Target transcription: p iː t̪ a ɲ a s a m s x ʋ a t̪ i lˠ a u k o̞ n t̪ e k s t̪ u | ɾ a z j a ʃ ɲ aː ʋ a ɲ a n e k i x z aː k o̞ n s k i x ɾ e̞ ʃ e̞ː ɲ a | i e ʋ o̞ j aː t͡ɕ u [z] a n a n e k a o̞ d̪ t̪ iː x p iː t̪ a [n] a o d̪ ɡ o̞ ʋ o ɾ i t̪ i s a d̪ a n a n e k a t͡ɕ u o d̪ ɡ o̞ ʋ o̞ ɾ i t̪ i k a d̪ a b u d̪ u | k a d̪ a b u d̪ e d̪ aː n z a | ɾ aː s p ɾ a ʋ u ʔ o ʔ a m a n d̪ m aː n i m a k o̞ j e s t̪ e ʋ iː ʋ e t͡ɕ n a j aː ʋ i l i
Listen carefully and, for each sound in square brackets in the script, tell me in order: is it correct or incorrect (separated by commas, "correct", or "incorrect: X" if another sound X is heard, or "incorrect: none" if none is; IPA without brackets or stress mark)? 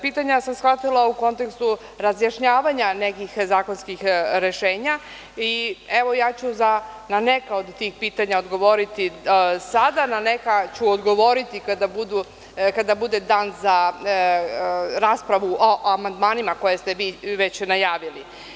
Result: correct, incorrect: ɲ